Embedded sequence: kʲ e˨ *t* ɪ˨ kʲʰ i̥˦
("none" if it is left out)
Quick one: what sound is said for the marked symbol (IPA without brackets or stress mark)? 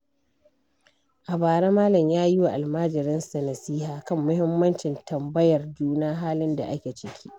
t͡ʃ